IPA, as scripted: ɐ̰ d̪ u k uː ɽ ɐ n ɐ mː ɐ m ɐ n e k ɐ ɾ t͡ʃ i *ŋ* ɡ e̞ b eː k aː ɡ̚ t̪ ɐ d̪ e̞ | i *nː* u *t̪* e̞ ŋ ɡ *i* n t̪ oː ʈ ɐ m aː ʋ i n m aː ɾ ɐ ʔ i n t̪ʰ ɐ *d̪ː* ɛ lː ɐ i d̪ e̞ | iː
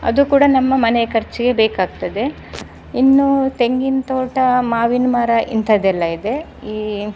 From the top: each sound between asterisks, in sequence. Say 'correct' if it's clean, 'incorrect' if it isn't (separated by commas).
incorrect, correct, correct, correct, incorrect